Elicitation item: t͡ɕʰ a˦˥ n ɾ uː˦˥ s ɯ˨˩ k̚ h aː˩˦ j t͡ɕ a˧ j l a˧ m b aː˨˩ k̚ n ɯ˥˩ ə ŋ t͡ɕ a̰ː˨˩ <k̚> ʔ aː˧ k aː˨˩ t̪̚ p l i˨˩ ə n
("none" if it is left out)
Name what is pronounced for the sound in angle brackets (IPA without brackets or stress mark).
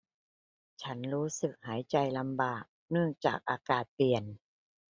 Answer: k̚